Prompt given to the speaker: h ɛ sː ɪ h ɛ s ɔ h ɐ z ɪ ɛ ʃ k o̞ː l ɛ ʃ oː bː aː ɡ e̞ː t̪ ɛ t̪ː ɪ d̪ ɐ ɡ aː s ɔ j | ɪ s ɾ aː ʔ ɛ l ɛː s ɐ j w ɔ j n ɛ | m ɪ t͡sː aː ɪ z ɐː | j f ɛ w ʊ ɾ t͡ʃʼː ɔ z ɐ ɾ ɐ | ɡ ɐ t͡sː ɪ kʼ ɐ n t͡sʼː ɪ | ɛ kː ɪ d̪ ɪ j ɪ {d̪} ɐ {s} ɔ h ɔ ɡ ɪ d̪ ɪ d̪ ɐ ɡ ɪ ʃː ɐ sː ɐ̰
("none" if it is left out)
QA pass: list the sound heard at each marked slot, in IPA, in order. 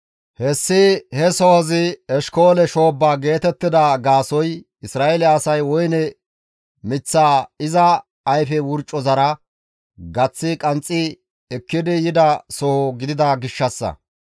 d̪, s

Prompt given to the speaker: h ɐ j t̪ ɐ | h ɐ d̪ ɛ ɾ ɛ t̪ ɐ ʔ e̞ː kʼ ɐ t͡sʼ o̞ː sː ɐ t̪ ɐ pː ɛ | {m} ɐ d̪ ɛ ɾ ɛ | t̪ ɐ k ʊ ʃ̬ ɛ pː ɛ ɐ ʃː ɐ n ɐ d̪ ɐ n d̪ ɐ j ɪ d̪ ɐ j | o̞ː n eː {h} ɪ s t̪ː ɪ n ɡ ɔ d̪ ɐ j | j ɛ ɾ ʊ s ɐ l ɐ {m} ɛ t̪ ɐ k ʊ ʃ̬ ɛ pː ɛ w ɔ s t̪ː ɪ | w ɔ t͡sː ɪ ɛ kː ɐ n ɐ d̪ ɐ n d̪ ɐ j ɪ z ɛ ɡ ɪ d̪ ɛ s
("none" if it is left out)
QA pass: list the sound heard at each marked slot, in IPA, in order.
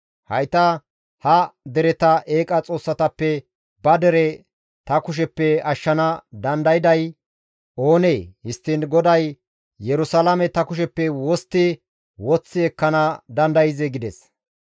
b, h, m

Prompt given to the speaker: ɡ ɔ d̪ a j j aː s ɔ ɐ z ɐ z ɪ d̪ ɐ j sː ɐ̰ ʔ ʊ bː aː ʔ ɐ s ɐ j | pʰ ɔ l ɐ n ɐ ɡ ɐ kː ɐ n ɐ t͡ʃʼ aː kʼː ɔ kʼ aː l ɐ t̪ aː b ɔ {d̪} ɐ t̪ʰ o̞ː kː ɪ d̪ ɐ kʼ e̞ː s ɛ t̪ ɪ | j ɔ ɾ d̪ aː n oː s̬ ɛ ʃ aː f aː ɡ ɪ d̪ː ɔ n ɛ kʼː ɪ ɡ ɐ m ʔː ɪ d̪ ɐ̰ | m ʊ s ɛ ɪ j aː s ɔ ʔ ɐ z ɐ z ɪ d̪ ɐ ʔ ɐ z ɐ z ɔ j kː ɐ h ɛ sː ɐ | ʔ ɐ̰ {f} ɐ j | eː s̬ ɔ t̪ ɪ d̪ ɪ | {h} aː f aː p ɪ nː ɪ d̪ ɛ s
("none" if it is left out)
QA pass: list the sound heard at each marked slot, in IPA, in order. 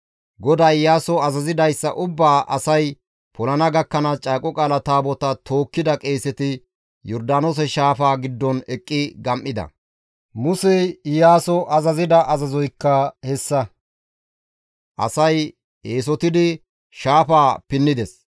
t̪, s, ʃ

